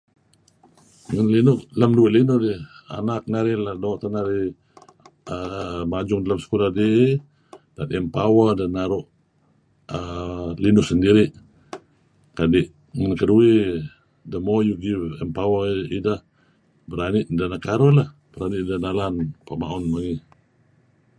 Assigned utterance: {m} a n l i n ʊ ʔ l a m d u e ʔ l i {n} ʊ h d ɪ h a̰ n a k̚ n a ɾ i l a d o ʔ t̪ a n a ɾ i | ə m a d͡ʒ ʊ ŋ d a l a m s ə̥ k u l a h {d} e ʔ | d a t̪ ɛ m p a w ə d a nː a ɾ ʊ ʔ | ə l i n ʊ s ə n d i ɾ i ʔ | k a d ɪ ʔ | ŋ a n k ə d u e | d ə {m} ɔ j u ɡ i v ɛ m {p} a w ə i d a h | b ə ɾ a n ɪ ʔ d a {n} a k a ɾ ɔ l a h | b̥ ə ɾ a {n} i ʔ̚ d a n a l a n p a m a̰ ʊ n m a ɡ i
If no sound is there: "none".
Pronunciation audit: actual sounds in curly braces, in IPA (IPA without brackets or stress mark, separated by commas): ŋ, n, d, m, p, n, n